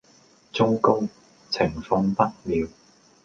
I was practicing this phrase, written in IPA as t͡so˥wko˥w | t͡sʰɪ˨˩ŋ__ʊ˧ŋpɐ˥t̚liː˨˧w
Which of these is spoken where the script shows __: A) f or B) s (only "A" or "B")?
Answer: A